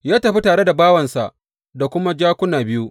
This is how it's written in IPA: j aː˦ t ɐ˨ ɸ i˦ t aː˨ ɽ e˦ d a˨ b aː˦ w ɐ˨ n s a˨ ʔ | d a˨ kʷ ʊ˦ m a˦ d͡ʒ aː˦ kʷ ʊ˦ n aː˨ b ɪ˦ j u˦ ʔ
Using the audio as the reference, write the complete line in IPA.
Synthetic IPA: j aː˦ t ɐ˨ ɸ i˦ t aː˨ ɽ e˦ d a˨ b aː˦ w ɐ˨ n s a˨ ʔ | d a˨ kʷ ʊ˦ m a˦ d͡ʒ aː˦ kʷ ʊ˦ n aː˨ b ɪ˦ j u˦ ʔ